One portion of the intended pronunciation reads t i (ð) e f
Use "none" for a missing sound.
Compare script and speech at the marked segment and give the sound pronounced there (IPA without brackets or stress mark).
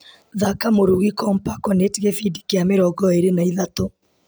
ɣ